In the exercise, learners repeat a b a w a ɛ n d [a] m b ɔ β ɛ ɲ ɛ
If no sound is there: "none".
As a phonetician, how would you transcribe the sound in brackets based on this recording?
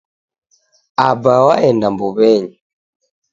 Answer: a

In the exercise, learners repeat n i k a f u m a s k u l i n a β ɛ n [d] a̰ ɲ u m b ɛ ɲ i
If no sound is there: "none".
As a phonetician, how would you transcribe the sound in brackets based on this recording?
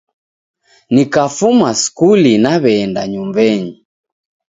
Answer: d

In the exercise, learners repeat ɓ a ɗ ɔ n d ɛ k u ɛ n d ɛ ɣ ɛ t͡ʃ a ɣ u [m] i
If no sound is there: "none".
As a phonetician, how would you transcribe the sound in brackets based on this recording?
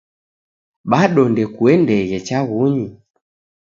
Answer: ɲ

